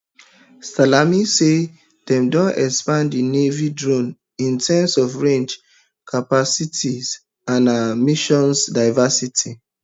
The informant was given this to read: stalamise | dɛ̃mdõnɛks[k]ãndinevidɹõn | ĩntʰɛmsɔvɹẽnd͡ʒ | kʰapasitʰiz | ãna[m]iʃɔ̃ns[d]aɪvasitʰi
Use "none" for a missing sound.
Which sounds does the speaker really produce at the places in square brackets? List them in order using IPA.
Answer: p, m, d

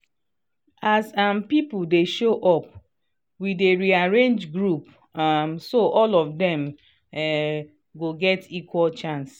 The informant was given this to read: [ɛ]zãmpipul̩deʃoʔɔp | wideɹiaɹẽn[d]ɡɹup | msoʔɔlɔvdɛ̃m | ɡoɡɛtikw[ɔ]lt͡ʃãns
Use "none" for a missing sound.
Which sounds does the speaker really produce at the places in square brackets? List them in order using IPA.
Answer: a, d͡ʒ, ɔ

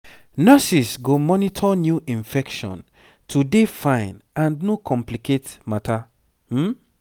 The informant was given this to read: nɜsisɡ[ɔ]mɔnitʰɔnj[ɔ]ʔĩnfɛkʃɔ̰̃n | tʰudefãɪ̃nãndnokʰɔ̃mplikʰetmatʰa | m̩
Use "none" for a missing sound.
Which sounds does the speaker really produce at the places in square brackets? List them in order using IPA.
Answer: o, u

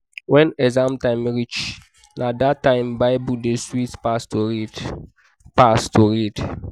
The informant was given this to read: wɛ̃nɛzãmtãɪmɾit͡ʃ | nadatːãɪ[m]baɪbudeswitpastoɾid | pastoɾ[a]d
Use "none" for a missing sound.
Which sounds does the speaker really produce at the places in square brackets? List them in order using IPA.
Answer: m, i

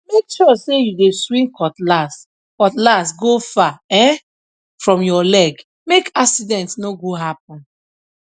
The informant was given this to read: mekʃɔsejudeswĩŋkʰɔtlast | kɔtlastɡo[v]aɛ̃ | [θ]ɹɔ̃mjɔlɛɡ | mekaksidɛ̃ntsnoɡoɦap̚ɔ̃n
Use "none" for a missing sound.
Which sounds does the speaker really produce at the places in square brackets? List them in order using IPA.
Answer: f, f

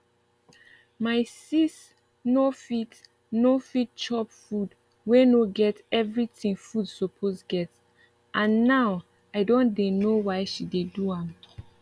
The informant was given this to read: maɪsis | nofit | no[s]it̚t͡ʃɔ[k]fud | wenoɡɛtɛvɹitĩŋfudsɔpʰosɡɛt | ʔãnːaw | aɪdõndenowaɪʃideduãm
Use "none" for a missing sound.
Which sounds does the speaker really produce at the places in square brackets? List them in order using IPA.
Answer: f, p

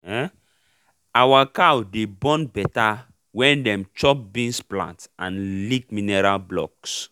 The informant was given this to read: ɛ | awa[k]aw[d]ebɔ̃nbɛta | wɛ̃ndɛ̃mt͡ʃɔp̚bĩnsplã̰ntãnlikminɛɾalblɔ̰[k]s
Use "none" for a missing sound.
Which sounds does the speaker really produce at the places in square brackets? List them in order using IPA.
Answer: k, d, k

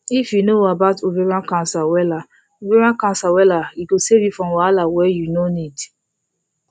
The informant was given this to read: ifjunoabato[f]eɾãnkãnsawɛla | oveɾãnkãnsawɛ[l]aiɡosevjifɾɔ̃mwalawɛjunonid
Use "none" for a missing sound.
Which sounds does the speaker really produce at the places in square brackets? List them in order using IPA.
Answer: v, l

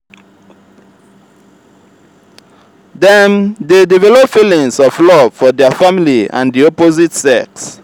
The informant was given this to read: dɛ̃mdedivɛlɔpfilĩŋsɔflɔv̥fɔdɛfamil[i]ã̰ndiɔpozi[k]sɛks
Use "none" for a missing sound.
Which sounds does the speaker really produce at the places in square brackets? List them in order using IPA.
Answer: i, t

